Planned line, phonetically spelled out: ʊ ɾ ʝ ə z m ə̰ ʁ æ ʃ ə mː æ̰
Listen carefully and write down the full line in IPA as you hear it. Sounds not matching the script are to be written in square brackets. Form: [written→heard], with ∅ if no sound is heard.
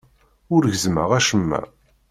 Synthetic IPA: ʊ ɾ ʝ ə z m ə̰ ʁ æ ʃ ə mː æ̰